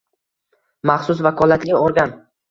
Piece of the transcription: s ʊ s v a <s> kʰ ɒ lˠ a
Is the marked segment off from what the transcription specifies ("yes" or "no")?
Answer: yes